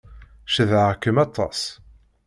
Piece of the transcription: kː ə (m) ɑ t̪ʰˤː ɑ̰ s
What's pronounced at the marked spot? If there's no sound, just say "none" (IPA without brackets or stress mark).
m